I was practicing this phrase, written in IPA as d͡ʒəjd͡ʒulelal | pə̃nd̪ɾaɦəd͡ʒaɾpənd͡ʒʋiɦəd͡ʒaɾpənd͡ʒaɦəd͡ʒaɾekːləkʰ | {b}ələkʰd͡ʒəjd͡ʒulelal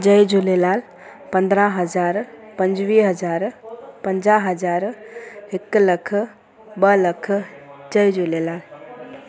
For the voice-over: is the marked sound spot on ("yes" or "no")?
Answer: yes